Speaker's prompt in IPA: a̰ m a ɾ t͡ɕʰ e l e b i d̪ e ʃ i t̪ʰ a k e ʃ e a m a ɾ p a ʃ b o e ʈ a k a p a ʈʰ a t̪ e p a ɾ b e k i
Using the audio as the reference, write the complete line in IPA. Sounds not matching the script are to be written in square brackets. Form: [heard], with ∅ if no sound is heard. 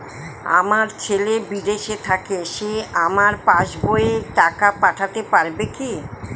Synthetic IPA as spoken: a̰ m a ɾ t͡ɕʰ e l e b i d̪ e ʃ [e] t̪ʰ a k e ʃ e a m a ɾ p a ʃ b o e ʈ a k a p a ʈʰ a t̪ e p a ɾ b e k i